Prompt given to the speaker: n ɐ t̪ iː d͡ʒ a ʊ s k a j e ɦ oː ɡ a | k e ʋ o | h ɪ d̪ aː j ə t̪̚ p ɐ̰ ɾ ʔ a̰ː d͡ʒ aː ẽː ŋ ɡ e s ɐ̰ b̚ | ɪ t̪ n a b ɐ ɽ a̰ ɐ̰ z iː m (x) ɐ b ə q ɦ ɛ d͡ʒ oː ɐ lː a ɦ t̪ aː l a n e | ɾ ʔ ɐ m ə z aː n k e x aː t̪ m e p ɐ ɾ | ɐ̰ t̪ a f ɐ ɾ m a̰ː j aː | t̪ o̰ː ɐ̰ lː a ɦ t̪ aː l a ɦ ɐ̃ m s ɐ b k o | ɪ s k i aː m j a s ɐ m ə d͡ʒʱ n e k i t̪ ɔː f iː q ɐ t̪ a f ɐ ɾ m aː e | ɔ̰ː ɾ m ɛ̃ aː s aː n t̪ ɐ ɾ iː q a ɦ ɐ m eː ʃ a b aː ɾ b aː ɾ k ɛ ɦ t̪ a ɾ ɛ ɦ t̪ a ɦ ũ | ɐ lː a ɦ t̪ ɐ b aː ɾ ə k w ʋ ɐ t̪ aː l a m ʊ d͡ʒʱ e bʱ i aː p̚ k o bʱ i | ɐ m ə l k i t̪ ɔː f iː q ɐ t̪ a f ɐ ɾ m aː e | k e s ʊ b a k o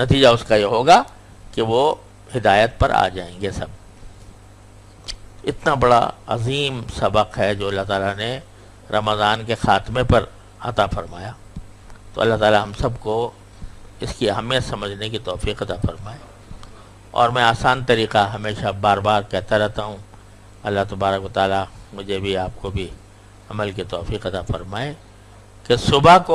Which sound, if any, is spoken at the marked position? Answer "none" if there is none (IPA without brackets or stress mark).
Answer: s